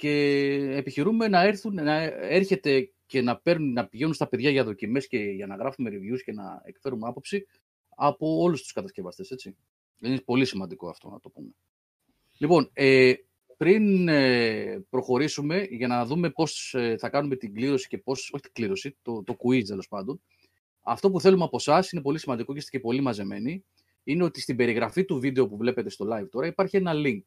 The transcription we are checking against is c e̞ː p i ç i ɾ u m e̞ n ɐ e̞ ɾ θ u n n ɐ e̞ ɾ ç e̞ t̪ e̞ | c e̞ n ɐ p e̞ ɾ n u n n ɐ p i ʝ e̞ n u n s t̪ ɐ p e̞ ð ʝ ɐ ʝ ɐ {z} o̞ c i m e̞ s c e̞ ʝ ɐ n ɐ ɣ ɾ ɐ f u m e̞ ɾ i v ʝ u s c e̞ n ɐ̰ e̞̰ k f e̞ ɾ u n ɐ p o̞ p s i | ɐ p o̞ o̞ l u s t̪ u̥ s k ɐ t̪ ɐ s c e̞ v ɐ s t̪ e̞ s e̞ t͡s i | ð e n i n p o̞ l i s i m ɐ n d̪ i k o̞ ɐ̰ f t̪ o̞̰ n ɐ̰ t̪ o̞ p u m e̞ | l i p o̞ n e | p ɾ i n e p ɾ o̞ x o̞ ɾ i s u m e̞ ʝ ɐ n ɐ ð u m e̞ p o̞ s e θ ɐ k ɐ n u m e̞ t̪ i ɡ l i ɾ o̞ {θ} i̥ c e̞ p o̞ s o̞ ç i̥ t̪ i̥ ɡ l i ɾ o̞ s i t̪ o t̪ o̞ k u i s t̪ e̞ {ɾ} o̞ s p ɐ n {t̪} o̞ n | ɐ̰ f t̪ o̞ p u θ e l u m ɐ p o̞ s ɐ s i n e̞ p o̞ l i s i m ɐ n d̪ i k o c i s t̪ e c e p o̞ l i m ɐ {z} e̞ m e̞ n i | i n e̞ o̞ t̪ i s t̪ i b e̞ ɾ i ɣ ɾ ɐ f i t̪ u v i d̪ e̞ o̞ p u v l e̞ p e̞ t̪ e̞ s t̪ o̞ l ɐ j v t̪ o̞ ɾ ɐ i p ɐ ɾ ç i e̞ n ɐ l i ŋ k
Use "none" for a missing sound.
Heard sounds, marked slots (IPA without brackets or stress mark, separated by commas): ð, s, l, d̪, z